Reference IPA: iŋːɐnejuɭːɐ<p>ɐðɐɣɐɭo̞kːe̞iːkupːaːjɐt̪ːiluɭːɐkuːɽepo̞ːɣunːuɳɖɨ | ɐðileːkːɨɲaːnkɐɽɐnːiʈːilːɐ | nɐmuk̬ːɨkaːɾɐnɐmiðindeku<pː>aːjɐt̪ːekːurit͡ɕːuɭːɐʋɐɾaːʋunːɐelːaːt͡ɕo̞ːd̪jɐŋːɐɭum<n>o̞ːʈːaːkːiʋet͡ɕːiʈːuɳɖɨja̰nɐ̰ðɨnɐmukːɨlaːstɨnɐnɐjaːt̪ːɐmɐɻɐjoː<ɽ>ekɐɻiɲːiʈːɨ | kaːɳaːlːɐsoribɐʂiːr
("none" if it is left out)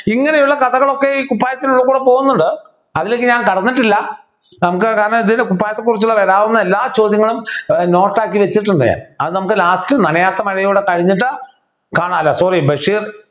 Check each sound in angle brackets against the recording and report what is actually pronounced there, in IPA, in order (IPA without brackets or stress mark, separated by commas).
k, pː, n, ɽ